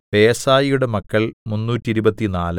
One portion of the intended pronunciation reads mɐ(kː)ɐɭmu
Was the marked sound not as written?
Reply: no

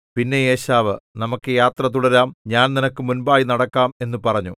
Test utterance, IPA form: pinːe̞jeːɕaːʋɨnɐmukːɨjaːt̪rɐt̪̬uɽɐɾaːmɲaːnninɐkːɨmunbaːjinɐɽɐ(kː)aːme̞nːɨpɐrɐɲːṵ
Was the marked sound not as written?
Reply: no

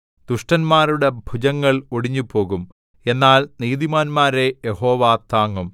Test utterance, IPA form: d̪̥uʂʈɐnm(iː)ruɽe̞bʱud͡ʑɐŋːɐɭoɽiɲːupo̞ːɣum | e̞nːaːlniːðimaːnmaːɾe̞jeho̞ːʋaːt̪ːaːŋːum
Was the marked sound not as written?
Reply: yes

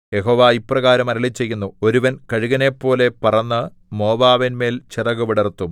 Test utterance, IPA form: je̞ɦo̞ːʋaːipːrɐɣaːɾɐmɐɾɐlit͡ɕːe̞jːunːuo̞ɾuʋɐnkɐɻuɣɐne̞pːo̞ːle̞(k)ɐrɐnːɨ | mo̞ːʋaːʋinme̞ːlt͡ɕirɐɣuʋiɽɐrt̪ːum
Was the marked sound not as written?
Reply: yes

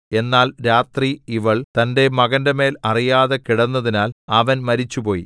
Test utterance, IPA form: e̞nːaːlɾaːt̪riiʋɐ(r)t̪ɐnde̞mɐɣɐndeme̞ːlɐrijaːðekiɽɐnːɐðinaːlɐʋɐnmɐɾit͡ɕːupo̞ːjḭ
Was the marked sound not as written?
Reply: yes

